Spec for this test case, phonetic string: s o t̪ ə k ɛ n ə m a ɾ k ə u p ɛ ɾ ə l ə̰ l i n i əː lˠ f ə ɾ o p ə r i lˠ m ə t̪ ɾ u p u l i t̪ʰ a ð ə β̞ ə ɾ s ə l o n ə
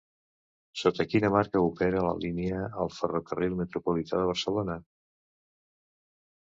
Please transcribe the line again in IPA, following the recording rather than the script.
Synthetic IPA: s o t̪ ə k i n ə m a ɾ k ə u p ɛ ɾ ə l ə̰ l i n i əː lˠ f ə r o k ə r i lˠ m ə t̪ ɾ u p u l i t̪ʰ a ð ə β̞ ə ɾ s ə l o n ə